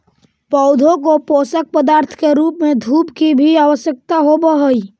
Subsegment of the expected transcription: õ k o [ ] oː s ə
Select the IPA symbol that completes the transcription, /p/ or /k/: p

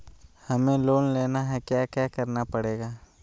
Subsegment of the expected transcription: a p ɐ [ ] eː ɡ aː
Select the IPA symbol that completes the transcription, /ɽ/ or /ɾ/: ɽ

